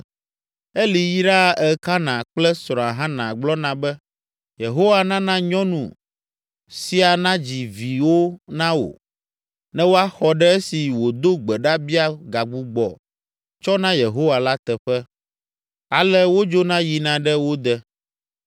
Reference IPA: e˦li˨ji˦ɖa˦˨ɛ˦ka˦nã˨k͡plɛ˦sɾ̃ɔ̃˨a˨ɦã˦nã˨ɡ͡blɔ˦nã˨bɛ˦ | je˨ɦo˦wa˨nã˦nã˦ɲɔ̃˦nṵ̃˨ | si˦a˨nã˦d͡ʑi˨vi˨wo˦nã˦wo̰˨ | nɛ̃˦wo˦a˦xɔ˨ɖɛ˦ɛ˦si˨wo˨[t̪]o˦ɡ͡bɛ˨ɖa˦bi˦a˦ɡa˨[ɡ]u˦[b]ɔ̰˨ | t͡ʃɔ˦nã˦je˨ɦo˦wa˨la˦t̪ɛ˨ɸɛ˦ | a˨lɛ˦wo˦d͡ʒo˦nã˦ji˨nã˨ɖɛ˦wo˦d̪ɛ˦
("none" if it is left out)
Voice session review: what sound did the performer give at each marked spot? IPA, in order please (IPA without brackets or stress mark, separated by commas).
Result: d̪, ɡ͡b, ɡ͡b